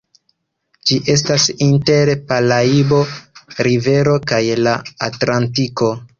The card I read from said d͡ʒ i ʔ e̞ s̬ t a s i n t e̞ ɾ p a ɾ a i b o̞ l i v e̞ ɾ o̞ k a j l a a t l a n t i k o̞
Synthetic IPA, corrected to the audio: d͡ʒ i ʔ e̞ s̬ t a s i n t e̞ ɾ p a l a i b o̞ ɾ i v e̞ ɾ o̞ k a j l a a t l a n t i k o̞